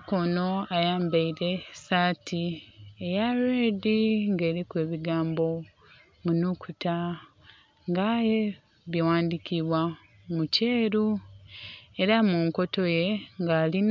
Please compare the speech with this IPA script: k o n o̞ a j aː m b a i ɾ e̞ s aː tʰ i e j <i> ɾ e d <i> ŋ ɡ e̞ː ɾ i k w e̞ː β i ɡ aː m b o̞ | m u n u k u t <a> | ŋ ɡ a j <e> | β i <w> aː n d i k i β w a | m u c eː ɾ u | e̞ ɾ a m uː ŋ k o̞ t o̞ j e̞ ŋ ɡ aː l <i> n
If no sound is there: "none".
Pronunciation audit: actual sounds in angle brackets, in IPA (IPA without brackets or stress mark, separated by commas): a, i, a, e, w, i